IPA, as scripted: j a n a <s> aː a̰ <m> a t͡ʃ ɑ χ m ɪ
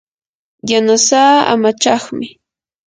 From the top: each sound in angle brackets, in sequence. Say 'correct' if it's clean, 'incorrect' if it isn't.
correct, correct

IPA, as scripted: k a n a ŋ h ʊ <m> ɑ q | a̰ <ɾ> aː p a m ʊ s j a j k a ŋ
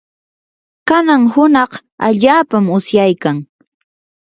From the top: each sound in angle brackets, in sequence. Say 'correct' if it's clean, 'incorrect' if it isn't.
incorrect: n, incorrect: ʎ

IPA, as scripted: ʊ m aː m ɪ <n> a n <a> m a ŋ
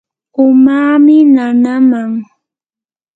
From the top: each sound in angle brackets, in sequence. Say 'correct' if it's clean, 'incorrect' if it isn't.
correct, correct

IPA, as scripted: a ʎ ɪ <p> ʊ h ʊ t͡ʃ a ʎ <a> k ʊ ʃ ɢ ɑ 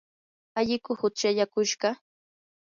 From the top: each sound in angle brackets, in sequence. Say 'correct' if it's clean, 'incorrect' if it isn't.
incorrect: k, correct

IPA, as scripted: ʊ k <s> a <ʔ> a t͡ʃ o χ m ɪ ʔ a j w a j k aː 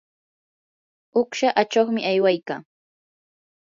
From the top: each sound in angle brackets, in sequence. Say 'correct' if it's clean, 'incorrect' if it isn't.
incorrect: ʃ, correct

